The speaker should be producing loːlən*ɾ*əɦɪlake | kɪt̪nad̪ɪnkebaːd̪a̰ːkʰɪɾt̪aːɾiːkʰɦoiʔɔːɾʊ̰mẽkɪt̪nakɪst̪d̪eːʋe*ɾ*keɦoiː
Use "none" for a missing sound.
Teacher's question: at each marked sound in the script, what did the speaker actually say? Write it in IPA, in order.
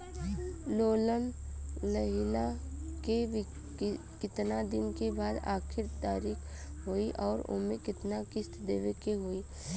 l, none

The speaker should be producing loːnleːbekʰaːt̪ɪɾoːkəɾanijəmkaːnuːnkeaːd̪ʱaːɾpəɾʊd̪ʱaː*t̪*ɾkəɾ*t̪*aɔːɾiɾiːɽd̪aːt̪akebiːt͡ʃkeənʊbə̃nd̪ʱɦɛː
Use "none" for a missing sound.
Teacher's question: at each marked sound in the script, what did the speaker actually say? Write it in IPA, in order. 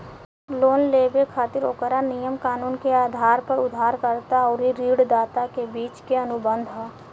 none, t̪

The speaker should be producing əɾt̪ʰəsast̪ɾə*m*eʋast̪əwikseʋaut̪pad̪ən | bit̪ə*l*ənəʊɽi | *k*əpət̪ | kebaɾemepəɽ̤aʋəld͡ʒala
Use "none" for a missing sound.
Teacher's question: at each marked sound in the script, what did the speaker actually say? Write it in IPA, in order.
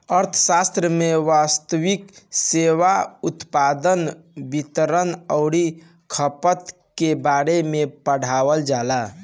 m, ɾ, kʰ

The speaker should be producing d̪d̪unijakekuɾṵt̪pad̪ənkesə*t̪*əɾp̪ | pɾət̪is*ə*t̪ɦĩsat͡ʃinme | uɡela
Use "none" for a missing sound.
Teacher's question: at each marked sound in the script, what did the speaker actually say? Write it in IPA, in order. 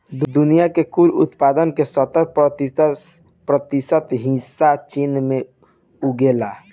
t̪, ə

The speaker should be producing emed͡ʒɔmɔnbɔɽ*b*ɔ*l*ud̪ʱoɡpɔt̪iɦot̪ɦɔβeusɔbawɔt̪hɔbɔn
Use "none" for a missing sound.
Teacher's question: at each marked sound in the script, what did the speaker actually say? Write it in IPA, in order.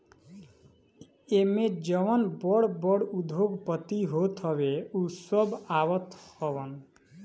b, ɽ

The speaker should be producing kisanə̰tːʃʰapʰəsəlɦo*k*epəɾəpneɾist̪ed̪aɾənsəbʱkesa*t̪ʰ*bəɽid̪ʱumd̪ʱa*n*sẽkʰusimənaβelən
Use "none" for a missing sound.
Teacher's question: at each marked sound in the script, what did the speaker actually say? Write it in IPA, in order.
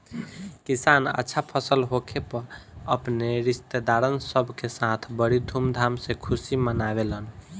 kʰ, t̪ʰ, m

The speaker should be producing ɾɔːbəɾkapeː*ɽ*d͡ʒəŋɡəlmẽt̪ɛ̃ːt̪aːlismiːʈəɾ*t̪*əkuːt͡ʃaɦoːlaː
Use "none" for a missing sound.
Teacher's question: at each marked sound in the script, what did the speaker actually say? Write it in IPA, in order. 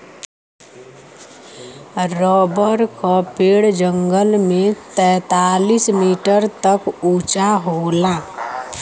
ɽ, t̪

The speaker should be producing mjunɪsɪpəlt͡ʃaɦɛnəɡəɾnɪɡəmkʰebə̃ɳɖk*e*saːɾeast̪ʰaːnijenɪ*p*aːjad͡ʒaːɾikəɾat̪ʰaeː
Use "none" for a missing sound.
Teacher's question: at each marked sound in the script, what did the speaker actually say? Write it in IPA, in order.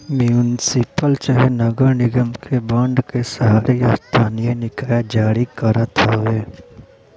e, k

